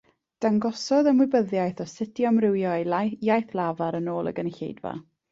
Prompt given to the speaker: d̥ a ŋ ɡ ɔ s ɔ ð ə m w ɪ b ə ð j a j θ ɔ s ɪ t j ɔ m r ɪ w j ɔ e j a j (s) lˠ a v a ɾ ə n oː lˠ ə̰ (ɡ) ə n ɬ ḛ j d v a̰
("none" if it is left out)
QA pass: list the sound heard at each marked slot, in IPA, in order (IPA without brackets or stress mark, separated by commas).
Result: θ, ɡ